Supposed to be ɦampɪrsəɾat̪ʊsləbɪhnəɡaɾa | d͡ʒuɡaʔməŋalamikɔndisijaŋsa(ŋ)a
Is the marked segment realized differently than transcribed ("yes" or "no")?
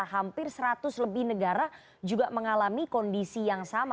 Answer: yes